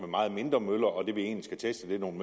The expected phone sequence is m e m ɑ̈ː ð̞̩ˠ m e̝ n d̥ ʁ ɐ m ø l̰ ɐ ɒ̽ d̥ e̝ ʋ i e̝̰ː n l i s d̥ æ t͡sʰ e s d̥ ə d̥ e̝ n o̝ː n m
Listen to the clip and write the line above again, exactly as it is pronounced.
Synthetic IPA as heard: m e m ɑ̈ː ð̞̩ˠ m e̝ n d̥ ʁ ɐ m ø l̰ ɐ ɒ̽ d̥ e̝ ʋ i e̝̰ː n l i s ɡ̥ æ t͡sʰ e s d̥ ə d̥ e̝ n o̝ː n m